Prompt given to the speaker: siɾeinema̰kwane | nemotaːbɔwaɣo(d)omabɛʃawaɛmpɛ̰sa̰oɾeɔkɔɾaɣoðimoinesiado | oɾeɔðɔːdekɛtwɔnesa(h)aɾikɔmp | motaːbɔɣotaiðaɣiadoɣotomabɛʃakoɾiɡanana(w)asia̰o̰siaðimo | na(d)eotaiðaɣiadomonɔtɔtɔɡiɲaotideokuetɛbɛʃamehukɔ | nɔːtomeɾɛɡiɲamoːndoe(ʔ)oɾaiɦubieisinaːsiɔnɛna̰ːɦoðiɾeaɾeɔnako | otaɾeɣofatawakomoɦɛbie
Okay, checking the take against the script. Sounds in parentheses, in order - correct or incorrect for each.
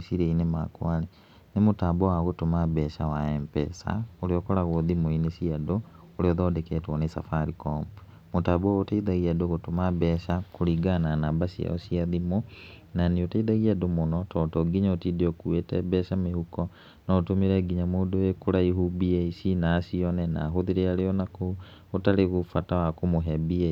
incorrect, incorrect, incorrect, incorrect, incorrect

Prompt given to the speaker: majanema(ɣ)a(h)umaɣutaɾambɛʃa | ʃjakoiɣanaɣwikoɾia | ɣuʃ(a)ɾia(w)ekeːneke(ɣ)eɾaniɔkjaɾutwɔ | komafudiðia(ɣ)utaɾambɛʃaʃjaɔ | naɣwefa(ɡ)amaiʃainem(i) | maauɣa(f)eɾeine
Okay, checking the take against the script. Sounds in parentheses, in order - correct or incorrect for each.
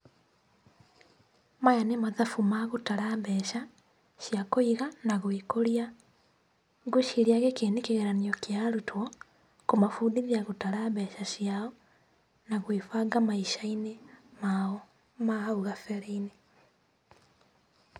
incorrect, incorrect, incorrect, incorrect, correct, correct, correct, incorrect, correct

